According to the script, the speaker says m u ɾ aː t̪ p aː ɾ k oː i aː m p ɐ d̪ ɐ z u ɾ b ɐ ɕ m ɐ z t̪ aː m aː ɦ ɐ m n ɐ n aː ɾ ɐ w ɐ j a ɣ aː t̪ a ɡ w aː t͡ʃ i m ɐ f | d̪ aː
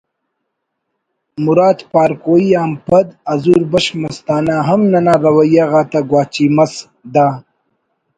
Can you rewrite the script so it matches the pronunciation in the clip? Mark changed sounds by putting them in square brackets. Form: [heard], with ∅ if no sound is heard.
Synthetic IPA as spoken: m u ɾ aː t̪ p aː ɾ k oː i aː m p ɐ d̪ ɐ z u ɾ b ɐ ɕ m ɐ [s] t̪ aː [n] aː ɦ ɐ m n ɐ n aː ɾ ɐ w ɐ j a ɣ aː t̪ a ɡ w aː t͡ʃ i m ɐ [s] | d̪ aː